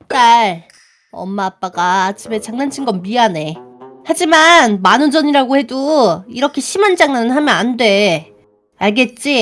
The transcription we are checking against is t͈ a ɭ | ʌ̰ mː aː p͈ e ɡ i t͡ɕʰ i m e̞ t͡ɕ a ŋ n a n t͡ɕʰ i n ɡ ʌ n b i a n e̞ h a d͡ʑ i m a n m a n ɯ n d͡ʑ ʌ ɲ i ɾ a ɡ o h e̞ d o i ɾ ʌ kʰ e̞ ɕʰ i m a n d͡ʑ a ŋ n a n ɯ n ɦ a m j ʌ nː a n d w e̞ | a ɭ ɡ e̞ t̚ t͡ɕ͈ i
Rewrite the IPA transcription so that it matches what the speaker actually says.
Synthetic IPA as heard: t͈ a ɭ | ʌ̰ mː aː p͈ a ɡ a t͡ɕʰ i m e̞ t͡ɕ a ŋ n a n t͡ɕʰ i n ɡ ʌ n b i a n e̞ h a d͡ʑ i m a n m a n ɯ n d͡ʑ ʌ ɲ i ɾ a ɡ o h e̞ d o i ɾ ʌ kʰ e̞ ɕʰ i m a n d͡ʑ a ŋ n a n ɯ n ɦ a m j ʌ n a n d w e̞ | a ɭ ɡ e̞ t̚ t͡ɕ͈ i